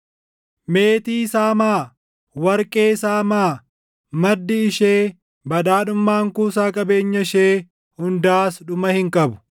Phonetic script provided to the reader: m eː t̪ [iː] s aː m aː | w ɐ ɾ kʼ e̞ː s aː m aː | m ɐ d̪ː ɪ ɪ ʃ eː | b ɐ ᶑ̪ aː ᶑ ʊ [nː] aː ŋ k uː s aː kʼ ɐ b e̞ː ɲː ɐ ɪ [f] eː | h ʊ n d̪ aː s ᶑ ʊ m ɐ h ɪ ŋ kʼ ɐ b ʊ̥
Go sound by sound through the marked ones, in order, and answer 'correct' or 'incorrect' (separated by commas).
correct, incorrect, incorrect